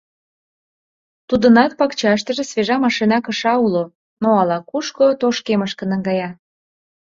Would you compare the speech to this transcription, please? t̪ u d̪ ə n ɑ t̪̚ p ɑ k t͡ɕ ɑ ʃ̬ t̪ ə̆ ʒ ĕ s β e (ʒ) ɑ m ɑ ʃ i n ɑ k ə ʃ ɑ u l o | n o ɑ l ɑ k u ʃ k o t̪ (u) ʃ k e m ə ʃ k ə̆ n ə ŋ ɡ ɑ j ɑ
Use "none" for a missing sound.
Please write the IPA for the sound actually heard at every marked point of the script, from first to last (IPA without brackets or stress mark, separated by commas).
ʒ, o